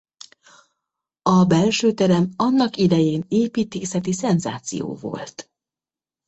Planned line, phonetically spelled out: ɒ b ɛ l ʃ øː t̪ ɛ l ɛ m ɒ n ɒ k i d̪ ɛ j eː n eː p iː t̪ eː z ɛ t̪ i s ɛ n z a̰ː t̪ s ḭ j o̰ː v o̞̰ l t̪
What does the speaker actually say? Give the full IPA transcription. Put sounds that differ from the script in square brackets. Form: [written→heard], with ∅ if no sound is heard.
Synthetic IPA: ɒ b ɛ l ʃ øː t̪ ɛ [l→ɾ] ɛ m ɒ [n→nː] ɒ k i d̪ ɛ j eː n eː p iː t̪ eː [z→s] ɛ t̪ i s ɛ n z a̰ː t̪ s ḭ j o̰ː v o̞̰ l t̪